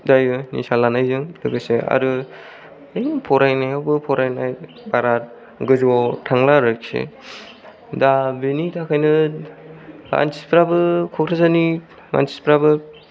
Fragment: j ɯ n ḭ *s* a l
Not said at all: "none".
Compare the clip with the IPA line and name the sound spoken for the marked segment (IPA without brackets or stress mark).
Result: s